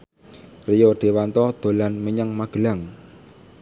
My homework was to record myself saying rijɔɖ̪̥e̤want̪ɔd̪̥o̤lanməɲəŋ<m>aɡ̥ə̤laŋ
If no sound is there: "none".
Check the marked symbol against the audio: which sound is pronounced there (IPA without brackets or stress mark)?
m